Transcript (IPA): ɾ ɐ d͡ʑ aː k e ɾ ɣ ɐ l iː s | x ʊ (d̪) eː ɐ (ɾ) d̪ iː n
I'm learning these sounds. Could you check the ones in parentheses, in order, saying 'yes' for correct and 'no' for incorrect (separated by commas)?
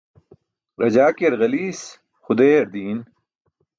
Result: yes, yes